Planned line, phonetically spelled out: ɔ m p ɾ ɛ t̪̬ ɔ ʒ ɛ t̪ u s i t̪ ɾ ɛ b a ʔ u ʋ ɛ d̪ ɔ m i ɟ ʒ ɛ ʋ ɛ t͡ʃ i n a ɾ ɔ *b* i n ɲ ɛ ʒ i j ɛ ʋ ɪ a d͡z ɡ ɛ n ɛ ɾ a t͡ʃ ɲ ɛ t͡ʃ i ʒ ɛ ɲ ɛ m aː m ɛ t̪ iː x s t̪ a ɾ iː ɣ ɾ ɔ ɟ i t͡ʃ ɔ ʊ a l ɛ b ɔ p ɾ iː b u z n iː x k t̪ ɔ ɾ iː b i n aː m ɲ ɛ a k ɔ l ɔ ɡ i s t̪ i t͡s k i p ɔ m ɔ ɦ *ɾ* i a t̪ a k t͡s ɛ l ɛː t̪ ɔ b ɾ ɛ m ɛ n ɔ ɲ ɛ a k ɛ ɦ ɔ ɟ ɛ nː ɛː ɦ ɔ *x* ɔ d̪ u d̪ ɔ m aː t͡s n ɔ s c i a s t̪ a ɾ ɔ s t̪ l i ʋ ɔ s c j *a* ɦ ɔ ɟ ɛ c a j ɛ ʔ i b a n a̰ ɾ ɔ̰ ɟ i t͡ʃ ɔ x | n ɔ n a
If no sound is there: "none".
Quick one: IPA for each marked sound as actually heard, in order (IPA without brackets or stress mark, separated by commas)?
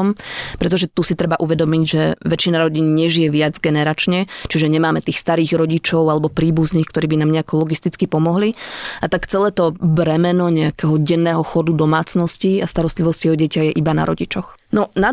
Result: ɟ, l, x, ɛ